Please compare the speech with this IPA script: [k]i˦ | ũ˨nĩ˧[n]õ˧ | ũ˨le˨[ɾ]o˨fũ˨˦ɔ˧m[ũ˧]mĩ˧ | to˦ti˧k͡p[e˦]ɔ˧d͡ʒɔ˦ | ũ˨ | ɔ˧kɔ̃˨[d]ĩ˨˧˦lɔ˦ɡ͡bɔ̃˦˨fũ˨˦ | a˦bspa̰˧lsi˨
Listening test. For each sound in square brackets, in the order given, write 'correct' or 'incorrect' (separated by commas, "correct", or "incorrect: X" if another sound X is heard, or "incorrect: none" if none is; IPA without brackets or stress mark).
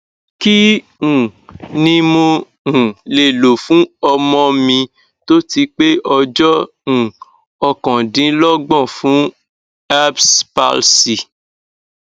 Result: correct, incorrect: m, incorrect: l, incorrect: ɔ̃˧, correct, correct